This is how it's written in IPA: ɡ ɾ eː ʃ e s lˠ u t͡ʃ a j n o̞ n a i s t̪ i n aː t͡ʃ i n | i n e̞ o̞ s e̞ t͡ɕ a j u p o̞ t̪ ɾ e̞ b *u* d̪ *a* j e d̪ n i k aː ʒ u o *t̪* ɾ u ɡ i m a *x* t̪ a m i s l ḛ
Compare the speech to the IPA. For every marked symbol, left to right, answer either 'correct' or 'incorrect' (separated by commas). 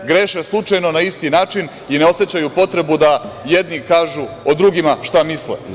correct, correct, incorrect, incorrect